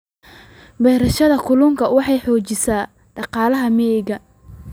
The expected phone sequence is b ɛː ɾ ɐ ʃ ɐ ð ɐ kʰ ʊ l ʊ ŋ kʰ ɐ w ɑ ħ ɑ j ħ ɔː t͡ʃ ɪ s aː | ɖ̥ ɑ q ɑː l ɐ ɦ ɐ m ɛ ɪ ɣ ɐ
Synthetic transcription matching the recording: b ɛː ɾ ɐ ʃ ɐ ð ɐ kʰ ʊ l ʊ ŋ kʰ ɐ w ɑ ħ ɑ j ħ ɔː t͡ʃ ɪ s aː | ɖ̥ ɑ q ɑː l ɐ ɦ ɐ m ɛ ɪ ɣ ɐ